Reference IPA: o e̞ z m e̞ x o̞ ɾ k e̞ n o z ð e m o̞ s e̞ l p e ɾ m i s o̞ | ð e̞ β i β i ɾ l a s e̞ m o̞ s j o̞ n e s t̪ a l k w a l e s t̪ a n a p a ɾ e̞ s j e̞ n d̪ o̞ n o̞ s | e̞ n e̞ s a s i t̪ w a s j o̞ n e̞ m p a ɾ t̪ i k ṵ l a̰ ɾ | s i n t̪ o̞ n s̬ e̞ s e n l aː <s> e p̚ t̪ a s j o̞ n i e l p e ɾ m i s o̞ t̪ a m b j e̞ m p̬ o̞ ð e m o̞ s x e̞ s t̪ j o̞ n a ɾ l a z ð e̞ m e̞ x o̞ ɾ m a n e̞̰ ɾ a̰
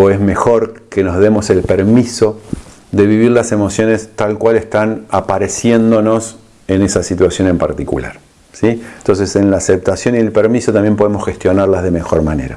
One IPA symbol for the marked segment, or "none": s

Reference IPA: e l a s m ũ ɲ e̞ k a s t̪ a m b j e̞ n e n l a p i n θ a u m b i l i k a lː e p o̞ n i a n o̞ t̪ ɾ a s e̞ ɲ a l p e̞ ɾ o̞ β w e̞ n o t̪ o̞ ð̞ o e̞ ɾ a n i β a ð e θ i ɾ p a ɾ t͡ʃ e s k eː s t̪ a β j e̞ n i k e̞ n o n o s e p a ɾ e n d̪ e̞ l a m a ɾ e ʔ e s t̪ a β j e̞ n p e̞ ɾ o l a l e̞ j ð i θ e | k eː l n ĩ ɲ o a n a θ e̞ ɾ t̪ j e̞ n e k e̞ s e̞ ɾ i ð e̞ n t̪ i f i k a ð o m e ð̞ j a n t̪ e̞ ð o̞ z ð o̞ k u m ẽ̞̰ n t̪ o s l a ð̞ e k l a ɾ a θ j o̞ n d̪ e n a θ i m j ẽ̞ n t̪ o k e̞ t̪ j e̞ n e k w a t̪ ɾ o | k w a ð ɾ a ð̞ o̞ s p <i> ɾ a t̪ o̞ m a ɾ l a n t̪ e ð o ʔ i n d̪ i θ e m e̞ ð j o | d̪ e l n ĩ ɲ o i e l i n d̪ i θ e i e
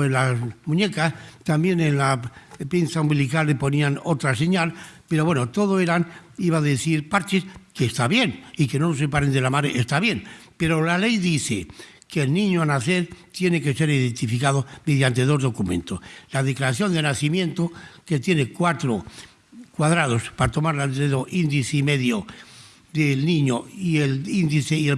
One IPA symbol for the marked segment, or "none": a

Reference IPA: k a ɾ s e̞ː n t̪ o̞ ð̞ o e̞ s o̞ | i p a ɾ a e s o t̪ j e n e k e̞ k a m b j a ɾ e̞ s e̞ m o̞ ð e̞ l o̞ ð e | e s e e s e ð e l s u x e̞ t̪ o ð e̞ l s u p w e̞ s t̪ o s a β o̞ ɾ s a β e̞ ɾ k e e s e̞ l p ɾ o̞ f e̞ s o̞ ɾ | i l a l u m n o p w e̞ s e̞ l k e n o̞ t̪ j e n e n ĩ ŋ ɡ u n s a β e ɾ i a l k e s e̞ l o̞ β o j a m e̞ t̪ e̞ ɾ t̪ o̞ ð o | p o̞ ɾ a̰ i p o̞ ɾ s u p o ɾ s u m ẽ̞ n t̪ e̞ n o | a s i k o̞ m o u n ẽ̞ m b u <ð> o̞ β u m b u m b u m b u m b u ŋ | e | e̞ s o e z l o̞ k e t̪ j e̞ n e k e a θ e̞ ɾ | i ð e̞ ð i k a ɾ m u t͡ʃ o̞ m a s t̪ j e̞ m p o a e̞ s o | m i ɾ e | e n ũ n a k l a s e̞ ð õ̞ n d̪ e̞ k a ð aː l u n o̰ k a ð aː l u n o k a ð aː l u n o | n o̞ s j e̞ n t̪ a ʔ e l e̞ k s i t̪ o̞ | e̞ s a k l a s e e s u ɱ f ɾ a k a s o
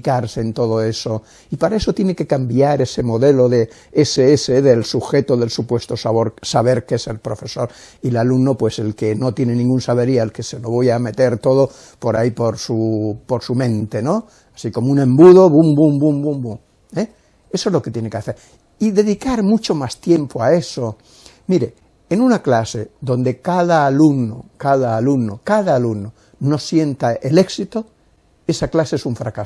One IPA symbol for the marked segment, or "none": ð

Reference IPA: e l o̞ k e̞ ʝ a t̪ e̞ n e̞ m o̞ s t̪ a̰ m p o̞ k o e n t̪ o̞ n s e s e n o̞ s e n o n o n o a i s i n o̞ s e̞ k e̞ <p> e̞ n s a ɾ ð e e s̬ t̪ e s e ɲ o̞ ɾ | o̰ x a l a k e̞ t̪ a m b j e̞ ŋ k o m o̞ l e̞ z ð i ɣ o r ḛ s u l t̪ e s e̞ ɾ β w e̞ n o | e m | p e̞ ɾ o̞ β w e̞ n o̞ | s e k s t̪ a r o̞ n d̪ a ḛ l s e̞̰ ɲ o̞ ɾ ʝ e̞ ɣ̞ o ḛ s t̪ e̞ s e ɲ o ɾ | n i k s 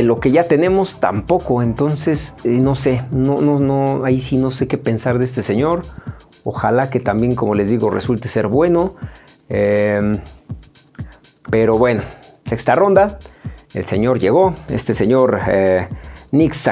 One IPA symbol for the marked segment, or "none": p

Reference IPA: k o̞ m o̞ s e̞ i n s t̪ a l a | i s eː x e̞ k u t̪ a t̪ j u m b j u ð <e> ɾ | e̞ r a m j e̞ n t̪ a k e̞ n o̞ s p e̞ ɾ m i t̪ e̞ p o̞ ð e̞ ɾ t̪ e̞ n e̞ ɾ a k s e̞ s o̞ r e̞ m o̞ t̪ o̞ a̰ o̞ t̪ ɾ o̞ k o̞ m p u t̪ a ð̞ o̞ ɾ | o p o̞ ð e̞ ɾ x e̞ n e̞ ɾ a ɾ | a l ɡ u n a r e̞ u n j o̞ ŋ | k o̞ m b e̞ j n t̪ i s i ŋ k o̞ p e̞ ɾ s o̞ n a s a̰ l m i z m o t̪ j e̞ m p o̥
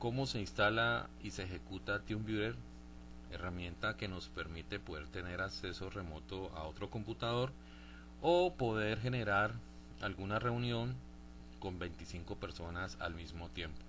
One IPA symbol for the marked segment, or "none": e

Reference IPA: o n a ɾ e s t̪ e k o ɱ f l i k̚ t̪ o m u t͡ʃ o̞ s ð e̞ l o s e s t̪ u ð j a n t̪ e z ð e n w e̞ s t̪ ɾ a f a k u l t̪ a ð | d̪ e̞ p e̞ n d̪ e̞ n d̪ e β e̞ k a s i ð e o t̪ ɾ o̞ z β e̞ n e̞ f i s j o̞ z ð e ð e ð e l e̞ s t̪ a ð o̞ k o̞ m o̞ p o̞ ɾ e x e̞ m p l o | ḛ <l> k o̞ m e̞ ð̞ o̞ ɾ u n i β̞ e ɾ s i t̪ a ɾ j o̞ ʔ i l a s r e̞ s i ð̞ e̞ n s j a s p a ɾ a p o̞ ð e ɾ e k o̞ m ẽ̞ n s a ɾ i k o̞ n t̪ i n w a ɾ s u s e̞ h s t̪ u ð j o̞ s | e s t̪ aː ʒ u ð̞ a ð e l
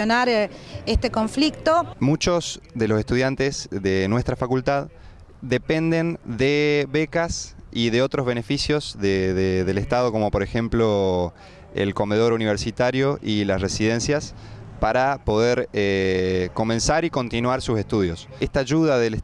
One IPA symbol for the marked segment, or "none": l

